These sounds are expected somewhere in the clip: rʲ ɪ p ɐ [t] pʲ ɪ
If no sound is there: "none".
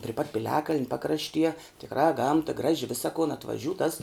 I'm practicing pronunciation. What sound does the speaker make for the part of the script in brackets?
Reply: t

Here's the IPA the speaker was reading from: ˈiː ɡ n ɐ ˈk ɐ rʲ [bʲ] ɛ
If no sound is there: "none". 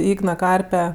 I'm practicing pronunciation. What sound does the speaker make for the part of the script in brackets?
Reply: pʲ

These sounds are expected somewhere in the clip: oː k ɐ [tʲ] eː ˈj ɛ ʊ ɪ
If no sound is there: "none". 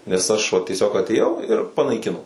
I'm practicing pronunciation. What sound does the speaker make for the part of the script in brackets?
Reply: tʲ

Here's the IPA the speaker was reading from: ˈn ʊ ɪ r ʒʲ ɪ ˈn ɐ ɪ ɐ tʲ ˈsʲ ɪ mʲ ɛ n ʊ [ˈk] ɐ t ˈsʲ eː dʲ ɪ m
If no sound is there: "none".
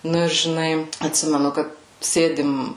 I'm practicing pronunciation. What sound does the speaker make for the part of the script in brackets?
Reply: k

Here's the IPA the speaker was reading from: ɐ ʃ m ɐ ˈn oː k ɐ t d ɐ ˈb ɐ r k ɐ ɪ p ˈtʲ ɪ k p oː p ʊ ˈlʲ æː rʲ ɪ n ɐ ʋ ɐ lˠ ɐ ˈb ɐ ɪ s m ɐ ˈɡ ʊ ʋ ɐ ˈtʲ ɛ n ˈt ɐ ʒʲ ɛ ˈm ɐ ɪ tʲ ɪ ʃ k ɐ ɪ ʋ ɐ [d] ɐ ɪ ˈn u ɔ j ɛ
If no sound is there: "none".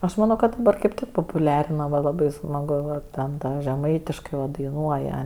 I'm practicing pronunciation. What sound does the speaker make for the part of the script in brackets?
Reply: d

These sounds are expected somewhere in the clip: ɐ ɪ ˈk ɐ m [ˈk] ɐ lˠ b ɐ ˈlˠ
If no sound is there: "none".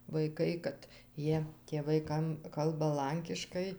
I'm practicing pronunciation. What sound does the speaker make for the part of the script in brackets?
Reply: k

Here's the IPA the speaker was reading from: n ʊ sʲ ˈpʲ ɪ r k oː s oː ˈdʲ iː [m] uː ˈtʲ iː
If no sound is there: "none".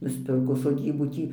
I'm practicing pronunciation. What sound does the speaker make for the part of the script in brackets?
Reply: b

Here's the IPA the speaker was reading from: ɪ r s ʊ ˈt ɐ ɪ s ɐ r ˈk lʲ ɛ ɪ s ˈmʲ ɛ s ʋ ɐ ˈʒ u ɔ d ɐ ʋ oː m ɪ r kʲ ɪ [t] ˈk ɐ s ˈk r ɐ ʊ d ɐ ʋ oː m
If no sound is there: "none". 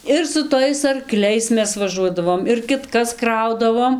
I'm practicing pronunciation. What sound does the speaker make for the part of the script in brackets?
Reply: t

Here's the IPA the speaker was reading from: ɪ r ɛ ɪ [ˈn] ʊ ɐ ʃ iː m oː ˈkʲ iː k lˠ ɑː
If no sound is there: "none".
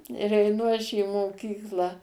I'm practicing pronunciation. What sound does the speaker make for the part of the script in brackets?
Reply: n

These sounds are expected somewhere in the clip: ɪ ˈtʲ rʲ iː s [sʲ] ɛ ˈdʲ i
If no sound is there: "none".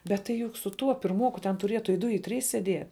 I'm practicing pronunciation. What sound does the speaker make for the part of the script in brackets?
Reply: sʲ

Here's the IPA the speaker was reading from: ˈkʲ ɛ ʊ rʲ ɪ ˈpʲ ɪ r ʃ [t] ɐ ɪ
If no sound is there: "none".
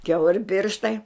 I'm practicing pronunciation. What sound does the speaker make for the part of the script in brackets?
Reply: t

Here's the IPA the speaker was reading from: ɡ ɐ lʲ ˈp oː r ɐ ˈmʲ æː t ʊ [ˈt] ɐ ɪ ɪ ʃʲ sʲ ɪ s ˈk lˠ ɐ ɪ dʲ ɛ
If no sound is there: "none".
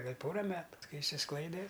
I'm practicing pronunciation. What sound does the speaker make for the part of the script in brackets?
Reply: k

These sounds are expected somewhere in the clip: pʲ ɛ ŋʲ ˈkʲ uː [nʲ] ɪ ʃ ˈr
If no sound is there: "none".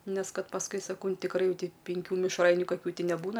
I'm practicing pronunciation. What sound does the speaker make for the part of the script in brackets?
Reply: mʲ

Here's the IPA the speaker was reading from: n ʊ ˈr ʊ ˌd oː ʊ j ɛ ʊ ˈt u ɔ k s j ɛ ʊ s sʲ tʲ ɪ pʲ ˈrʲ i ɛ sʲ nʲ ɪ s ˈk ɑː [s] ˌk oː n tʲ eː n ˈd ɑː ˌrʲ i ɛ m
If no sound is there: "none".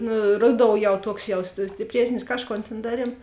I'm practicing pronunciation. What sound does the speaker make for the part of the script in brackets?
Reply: ʃ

